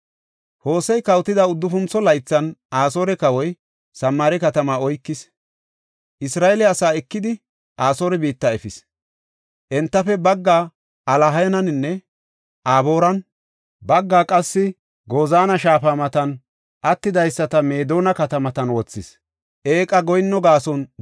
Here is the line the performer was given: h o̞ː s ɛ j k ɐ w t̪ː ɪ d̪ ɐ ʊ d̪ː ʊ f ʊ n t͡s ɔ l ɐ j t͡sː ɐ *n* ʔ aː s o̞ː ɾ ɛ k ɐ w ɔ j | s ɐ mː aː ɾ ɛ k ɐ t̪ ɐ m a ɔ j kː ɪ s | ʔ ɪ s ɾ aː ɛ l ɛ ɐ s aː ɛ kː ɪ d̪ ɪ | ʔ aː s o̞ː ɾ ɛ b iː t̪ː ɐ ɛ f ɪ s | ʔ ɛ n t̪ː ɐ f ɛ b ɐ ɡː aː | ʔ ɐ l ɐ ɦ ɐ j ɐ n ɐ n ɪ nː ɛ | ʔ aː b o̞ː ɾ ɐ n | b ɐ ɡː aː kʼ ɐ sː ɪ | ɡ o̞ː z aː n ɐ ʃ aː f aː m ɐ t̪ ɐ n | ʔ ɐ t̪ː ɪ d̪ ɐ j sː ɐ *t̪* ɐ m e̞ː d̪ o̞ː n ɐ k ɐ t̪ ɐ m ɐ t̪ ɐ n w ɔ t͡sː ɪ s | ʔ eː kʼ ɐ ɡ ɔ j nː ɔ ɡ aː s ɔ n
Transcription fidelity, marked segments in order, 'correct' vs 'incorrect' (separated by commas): correct, correct